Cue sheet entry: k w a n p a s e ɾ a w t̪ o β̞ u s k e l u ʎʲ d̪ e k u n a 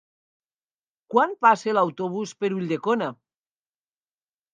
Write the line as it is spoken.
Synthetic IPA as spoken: k w a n p a s e l a w t̪ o β̞ u s p e ɾ u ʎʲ d̪ e k o n a